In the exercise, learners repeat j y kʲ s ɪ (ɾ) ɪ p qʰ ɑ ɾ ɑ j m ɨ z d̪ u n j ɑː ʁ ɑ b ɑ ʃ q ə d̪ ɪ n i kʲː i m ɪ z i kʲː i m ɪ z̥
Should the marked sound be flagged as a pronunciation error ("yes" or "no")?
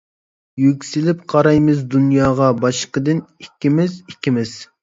yes